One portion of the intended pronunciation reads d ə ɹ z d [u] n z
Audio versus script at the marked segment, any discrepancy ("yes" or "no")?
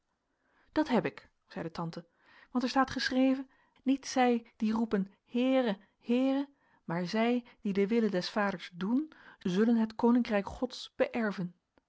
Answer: no